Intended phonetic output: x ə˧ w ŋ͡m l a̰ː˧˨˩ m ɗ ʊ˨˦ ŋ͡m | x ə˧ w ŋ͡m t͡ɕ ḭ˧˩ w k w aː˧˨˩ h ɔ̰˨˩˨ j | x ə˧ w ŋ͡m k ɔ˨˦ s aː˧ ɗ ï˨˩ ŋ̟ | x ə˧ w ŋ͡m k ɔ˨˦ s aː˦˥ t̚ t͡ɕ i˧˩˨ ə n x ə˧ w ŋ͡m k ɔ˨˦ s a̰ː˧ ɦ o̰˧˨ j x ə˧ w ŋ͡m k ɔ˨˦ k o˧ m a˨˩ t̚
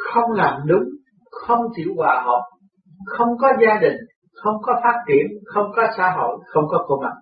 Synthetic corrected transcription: x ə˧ w ŋ͡m l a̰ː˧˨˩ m ɗ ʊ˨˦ ŋ͡m | x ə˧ w ŋ͡m t͡ɕ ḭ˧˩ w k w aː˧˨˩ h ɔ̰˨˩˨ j | x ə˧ w ŋ͡m k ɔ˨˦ z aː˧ ɗ ï˨˩ ŋ̟ | x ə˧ w ŋ͡m k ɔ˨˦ f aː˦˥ t̚ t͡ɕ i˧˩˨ ə n x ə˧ w ŋ͡m k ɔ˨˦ s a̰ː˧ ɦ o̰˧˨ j x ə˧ w ŋ͡m k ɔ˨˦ k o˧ m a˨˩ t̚